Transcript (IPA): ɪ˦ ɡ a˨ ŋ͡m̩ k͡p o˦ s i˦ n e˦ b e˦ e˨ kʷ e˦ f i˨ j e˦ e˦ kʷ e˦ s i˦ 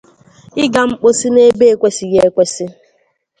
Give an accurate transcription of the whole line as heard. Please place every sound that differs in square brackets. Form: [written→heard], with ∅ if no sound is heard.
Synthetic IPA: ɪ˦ ɡ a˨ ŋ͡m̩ k͡p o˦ s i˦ n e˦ b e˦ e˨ kʷ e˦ [f→s] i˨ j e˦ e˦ kʷ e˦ s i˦